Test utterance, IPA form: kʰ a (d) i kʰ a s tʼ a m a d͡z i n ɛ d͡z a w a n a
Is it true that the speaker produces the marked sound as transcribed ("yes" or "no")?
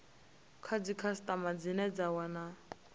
no